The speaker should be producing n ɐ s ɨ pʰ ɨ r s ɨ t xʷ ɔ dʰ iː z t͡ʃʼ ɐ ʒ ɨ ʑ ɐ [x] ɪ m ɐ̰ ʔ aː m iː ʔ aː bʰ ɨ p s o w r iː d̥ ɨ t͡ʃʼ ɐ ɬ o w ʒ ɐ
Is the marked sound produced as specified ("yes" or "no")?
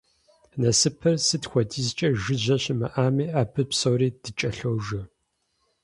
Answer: no